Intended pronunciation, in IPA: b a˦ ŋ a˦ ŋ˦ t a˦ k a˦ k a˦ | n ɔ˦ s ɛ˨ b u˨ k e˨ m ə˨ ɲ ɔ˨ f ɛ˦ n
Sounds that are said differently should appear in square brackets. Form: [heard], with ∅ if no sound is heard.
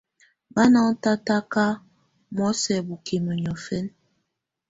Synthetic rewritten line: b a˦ [n] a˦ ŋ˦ t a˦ [t] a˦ k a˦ | [m] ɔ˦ s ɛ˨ b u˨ k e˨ m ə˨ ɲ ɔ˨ f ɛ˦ n